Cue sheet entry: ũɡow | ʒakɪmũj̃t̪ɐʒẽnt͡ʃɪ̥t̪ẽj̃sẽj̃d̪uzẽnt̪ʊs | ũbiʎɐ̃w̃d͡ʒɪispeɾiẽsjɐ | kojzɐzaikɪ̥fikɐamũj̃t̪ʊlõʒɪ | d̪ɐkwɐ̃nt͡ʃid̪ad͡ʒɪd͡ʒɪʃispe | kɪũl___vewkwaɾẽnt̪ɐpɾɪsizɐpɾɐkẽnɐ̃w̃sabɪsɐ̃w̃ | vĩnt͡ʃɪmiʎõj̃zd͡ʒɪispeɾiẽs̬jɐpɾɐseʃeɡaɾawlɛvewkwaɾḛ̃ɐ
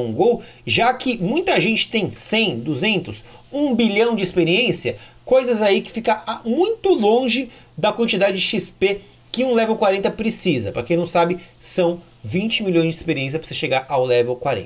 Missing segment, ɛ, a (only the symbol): ɛ